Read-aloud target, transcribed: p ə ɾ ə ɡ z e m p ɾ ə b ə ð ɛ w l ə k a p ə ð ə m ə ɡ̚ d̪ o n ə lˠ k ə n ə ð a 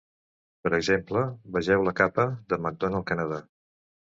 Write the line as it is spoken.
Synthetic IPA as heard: p ə ɾ ə ɡ z e m p l ə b ə ʒ ɛ w l ə k a p ə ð ə m ə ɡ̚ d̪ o n ə lˠ k ə n ə ð a

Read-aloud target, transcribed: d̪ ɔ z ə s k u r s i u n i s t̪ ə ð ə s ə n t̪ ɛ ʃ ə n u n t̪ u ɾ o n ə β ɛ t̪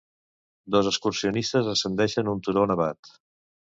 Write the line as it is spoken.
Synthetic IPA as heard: d̪ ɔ z ə s k u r s i u n i s t̪ ə z ə s ə n d̪ ɛ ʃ ə n u n t̪ u ɾ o n ə β a t̪

